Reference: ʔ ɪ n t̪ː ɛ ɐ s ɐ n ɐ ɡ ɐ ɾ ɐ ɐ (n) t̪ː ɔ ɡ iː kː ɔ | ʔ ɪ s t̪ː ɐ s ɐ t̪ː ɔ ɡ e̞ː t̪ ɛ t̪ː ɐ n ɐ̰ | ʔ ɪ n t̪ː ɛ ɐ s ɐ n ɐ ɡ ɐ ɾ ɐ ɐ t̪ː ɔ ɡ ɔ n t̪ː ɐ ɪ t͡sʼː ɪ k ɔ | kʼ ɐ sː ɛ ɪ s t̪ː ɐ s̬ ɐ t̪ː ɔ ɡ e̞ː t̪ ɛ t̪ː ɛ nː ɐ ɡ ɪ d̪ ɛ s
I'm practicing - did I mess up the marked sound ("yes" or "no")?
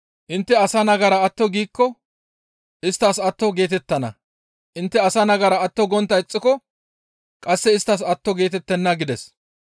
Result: yes